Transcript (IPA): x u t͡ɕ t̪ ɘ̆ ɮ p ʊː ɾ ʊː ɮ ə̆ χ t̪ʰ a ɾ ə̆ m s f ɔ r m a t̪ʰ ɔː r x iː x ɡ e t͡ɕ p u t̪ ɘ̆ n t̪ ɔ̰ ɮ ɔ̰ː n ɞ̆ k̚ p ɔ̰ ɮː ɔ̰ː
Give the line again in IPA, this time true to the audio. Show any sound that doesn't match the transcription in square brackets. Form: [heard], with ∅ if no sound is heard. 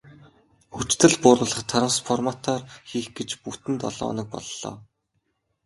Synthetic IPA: x u t͡ɕ t̪ ɘ̆ ɮ p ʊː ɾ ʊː ɮ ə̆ χ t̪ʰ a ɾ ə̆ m s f ɔ r m a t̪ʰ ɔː r x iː x ɡ e t͡ɕ p u t̪ ɘ̆ n t̪ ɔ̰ ɮ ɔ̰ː n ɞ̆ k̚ p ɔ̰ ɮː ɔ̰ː